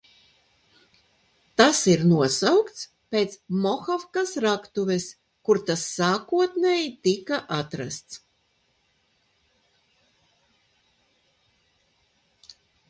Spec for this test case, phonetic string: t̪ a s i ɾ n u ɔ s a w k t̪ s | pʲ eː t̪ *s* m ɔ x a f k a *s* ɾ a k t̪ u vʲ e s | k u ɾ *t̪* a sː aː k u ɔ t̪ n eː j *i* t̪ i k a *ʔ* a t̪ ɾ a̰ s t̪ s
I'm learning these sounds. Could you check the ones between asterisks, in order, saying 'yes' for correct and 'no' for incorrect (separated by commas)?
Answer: yes, yes, yes, yes, yes